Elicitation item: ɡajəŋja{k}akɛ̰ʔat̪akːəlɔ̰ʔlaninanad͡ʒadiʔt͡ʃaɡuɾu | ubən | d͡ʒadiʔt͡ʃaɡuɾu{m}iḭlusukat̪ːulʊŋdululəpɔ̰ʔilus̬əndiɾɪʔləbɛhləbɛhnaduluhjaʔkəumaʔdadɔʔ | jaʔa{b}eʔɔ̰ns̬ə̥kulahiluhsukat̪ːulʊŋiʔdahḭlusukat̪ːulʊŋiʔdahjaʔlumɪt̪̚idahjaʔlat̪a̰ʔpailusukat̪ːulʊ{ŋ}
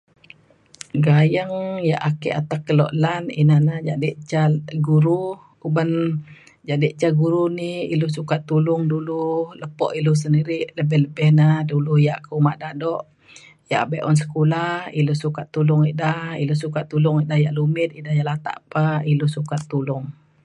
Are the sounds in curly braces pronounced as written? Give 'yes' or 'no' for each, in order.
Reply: no, no, yes, yes

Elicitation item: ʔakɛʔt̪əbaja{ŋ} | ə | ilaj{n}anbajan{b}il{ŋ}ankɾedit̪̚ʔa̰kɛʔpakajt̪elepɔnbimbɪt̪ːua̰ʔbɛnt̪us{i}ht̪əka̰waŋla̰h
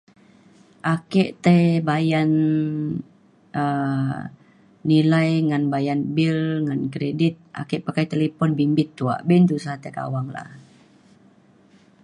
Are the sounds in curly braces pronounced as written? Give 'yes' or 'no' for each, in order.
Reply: no, no, yes, yes, no

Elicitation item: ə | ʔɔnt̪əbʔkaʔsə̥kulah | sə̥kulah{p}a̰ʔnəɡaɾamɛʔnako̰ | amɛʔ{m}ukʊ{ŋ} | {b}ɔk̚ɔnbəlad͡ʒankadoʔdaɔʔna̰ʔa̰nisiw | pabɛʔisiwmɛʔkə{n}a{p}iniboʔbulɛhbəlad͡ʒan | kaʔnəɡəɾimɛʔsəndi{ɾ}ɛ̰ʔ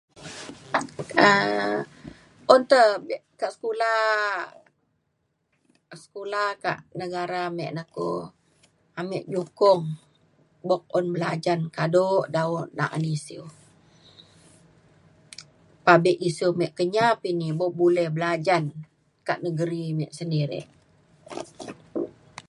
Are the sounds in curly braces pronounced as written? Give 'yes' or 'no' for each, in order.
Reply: no, no, yes, yes, no, yes, yes

